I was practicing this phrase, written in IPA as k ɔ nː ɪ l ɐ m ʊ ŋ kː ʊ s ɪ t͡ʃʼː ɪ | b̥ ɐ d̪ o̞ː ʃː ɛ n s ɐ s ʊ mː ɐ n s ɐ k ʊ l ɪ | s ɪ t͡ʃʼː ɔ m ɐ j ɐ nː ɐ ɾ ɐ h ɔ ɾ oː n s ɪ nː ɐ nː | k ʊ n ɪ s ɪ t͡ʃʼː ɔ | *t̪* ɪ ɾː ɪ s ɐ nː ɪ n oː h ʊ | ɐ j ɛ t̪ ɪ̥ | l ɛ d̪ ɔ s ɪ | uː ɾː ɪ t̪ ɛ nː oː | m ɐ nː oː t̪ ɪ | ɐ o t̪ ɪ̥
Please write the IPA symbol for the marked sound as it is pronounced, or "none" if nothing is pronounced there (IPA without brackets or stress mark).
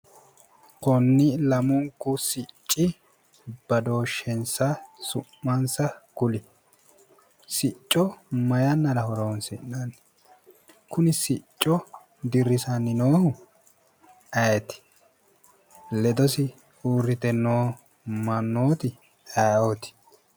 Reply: d̪